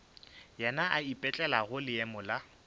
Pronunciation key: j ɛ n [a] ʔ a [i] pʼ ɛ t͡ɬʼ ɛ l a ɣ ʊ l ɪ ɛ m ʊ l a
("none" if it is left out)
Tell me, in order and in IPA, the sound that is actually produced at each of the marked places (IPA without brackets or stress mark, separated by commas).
a, i